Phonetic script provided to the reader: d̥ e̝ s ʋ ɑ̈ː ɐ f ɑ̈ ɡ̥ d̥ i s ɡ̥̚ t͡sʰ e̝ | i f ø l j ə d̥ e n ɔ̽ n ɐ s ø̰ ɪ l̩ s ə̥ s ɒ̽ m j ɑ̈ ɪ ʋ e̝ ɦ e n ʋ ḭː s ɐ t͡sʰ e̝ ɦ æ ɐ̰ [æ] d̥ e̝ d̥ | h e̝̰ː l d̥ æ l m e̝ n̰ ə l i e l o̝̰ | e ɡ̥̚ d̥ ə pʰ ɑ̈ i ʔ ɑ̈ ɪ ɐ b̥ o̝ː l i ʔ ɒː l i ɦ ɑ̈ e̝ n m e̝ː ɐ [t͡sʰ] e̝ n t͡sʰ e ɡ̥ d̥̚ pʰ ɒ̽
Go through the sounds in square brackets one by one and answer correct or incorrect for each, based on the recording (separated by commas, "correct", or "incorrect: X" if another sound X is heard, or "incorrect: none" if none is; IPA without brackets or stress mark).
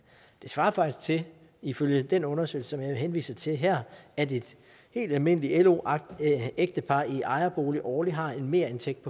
correct, incorrect: none